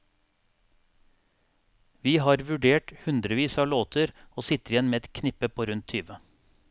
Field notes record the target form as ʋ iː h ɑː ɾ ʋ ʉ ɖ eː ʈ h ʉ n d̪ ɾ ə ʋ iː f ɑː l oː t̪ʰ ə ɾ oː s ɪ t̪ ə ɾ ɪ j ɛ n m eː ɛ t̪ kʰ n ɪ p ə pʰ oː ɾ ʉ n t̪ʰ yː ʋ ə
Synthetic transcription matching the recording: ʋ iː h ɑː ɾ ʋ ʉ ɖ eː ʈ h ʉ n d̪ ɾ ə ʋ iː s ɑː l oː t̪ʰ ə ɾ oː s ɪ t̪ ə ɾ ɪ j ɛ n m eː ɛ t̪ kʰ n ɪ p ə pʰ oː ɾ ʉ n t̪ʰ yː ʋ ə